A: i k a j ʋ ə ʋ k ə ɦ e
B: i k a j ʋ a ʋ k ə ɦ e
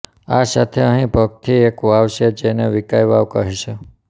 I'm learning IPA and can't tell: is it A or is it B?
B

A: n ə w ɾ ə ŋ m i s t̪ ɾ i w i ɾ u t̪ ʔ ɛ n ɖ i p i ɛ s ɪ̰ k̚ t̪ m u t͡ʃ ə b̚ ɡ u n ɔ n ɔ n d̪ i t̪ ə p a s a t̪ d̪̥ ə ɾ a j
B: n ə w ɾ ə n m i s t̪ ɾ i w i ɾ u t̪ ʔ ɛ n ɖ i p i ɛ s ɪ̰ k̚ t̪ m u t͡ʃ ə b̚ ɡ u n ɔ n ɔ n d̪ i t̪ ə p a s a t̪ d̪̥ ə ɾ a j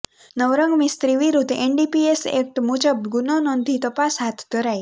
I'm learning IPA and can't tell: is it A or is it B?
A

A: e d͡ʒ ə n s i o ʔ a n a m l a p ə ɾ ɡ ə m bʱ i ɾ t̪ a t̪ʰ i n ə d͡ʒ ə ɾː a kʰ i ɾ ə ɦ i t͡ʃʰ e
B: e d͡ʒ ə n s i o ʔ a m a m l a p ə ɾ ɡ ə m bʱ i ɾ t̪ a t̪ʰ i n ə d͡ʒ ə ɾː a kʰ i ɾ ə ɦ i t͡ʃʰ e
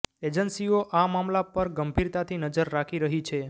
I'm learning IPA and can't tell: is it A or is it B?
B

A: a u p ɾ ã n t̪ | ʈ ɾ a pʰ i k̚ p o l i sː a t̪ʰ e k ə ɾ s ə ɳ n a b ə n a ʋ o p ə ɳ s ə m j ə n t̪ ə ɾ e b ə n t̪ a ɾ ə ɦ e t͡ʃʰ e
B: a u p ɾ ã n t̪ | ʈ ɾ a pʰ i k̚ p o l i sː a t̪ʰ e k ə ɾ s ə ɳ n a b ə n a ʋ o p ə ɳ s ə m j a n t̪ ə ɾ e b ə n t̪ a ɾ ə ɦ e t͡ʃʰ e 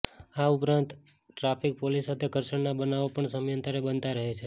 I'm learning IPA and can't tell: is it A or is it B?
A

